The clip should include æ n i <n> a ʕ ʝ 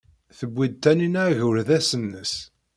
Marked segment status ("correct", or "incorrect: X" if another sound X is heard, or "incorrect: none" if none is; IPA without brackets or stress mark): correct